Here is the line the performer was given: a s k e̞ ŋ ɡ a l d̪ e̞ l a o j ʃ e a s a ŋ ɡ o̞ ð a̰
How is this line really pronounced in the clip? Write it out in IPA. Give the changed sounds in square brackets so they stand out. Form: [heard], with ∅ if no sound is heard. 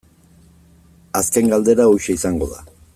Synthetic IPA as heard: a s k e̞ ŋ ɡ a l d̪ e̞ [ɾ] a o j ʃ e [i] s a ŋ ɡ o̞ ð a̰